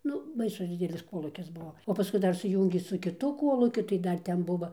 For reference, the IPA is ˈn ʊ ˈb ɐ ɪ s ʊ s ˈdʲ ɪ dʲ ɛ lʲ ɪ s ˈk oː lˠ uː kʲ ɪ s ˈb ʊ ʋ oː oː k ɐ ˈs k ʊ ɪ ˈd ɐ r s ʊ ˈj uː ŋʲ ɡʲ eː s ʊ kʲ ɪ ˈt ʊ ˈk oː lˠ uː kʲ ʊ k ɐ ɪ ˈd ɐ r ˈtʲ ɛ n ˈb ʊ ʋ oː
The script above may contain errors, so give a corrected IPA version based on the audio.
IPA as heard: ˈn ʊ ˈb ɐ ɪ s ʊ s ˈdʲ ɪ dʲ ɛ lʲ ɪ s ˈk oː lˠ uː kʲ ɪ s ˈb ʊ ʋ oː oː p ɐ ˈs k ʊ ɪ ˈd ɐ r s ʊ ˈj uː ŋʲ ɡʲ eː s ʊ kʲ ɪ ˈt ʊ ˈk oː lˠ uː kʲ ʊ t ɐ ɪ ˈd ɐ r ˈtʲ ɛ n ˈb ʊ ʋ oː